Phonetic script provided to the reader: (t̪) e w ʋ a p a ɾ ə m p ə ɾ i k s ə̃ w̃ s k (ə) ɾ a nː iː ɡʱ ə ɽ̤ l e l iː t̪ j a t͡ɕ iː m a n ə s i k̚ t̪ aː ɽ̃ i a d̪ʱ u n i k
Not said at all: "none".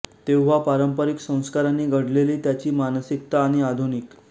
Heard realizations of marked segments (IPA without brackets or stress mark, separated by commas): t̪, a